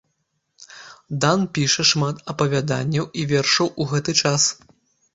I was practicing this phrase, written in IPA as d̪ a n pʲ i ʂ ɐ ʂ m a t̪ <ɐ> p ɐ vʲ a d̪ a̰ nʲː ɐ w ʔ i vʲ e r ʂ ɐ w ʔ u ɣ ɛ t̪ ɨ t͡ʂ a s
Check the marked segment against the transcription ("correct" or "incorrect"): correct